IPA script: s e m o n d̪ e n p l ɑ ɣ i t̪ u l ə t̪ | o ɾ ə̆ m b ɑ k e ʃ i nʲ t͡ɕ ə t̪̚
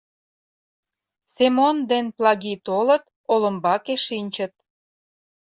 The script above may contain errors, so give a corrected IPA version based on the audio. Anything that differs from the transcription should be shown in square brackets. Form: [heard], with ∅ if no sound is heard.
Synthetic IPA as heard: s e m o n d̪ e n p l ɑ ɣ i t̪ [o] l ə t̪ | o [l] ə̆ m b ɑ k e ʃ i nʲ t͡ɕ ə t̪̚